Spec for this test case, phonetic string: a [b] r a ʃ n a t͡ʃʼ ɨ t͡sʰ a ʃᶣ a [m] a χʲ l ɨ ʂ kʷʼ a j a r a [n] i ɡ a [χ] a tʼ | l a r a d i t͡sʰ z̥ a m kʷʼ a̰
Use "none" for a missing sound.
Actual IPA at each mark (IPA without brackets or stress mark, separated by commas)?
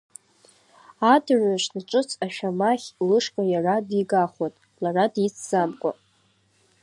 d, m, d, χ